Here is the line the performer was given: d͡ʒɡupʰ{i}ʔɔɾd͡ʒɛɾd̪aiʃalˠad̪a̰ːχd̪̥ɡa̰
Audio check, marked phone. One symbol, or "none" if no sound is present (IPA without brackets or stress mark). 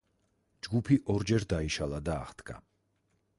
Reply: i